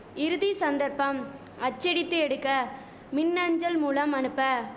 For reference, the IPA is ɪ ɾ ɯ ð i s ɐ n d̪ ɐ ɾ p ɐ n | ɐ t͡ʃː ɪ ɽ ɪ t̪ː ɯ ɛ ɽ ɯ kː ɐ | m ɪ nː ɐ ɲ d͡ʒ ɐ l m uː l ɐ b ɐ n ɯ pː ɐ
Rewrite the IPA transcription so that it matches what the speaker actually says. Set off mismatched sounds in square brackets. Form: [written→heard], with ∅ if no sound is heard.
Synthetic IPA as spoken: ɪ ɾ ɯ ð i s ɐ n d̪ ɐ ɾ p ɐ [n→m] | ɐ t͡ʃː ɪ ɽ ɪ t̪ː ɯ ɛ ɽ ɯ kː ɐ | m ɪ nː ɐ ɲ d͡ʒ ɐ l m uː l ɐ [b→m] ɐ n ɯ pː ɐ